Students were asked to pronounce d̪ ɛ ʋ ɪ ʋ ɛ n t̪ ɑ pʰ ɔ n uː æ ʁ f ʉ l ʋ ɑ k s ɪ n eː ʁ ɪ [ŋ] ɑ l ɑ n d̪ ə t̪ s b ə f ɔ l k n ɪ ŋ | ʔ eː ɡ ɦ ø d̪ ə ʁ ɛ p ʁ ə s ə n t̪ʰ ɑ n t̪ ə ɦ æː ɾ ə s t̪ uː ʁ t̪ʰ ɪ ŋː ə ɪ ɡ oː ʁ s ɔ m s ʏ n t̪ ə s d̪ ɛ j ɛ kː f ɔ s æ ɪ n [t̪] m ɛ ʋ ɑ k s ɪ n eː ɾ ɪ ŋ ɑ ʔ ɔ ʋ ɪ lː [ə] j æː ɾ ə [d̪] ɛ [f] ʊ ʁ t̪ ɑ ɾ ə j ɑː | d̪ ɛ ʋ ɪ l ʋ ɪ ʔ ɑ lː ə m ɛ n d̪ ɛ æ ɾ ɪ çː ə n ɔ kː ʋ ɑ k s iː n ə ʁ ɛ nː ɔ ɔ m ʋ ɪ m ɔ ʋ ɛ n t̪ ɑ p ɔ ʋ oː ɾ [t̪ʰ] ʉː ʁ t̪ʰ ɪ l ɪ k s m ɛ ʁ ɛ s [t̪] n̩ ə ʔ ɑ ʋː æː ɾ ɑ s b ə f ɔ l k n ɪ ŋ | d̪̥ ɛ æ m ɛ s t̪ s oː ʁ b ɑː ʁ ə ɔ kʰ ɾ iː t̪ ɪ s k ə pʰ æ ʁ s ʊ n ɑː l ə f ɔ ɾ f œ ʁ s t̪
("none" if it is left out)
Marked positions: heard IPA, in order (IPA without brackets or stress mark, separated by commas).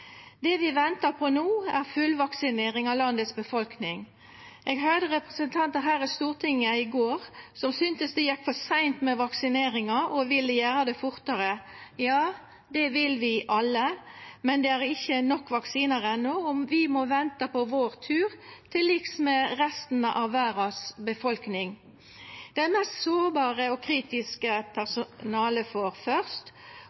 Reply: ŋ, t̪, ə, d̪, f, t̪ʰ, t̪